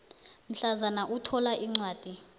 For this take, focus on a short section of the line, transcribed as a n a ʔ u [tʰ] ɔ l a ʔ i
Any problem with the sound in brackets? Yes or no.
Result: no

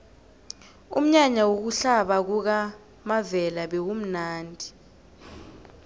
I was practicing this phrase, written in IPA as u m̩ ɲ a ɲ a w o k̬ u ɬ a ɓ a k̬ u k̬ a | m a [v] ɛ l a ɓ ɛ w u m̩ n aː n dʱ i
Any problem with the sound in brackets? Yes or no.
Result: no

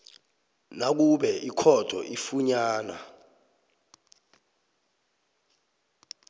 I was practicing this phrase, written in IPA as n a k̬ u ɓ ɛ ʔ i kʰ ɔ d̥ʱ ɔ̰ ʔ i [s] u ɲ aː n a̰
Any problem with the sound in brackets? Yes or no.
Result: yes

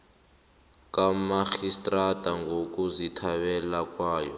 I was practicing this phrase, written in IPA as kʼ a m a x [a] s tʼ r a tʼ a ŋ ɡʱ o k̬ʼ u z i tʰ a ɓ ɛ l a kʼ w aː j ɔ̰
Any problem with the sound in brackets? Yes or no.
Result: yes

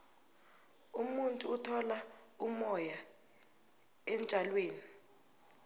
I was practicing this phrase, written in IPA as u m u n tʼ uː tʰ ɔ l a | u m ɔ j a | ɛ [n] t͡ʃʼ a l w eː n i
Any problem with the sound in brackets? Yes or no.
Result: no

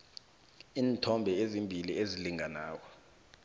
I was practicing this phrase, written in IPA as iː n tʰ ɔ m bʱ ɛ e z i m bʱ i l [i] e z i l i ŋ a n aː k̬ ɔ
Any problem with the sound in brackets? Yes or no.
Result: no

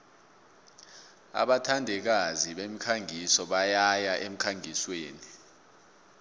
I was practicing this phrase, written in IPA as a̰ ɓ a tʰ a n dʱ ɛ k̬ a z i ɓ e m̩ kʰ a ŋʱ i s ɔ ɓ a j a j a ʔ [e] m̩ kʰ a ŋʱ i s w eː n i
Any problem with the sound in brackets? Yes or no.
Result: no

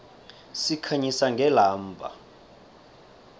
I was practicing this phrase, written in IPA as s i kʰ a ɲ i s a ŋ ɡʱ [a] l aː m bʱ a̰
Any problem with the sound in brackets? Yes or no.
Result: yes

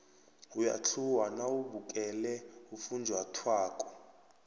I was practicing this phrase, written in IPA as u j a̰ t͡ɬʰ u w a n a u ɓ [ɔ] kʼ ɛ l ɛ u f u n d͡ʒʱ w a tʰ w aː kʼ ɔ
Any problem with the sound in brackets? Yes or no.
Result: yes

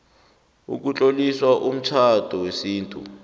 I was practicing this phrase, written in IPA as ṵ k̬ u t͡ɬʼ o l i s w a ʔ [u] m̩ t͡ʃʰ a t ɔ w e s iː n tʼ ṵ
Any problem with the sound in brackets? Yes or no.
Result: no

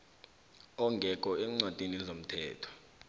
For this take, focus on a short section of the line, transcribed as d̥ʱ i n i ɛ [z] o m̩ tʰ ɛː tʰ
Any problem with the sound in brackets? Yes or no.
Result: no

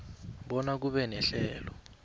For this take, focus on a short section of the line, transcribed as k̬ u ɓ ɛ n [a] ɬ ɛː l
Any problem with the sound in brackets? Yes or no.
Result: yes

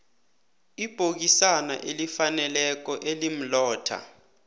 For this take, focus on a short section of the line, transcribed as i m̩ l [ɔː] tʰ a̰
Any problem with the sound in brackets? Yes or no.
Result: no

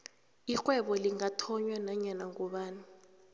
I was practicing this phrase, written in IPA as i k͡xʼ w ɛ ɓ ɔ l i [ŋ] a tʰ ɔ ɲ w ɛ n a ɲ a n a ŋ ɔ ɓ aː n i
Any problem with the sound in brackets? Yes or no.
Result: no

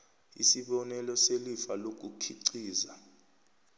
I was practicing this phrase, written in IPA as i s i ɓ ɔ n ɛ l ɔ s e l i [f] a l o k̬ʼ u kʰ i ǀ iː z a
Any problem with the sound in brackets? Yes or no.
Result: no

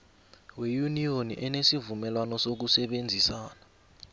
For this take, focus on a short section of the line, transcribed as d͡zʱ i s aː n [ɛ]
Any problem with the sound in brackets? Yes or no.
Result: yes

